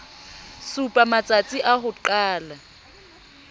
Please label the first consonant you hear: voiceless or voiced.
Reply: voiceless